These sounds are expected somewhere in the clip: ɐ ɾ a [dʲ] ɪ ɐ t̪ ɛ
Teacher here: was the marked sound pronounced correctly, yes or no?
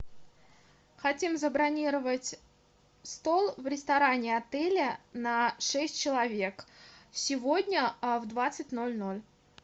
no